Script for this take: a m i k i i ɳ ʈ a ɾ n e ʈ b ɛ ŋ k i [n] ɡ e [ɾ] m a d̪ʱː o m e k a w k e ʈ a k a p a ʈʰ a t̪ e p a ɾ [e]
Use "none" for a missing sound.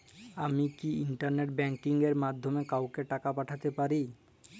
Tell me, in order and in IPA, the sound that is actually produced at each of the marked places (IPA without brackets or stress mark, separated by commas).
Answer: ŋ, ɾ, i